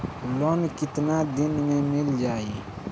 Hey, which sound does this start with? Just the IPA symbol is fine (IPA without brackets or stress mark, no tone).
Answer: l